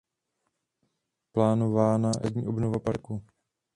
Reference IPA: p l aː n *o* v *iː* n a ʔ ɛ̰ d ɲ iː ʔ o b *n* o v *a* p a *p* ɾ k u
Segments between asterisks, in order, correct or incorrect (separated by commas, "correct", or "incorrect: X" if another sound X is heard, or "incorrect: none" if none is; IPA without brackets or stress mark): correct, incorrect: aː, correct, correct, incorrect: none